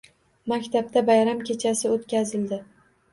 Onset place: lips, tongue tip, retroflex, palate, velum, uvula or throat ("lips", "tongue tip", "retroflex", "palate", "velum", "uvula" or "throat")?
lips